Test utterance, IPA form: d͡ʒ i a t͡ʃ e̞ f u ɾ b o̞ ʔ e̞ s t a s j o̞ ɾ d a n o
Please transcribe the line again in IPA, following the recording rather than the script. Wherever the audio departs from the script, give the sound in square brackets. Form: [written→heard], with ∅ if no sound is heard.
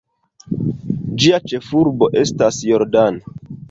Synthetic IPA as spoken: d͡ʒ i a t͡ʃ e̞ f u ɾ b o̞ ʔ e̞ s t a s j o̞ ɾ d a n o